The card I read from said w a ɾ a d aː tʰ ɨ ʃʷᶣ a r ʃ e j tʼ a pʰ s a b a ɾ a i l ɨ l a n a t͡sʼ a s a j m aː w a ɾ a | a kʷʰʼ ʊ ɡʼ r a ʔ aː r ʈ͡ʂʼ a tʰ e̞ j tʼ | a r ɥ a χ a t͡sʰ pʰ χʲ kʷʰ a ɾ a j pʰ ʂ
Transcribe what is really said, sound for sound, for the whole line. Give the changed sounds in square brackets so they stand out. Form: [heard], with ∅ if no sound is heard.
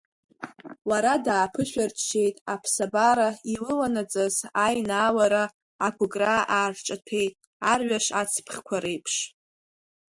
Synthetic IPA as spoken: w a ɾ a d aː [pʰ] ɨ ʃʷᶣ a r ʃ e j tʼ a pʰ s a b a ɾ a i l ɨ l a n a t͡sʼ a [z] a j [n] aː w a ɾ a | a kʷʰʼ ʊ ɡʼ r a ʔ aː r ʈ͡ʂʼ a tʰ e̞ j tʼ | a r ɥ a [ʂ] a t͡sʰ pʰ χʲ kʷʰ a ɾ [e] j pʰ ʂ